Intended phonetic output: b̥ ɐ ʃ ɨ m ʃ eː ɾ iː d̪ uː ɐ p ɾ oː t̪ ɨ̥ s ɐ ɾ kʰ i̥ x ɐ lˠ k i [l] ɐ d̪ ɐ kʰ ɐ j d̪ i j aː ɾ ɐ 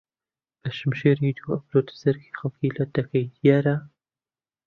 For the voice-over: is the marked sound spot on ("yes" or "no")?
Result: yes